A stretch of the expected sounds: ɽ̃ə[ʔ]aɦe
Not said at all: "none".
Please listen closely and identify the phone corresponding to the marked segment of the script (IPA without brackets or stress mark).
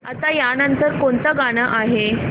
ʔ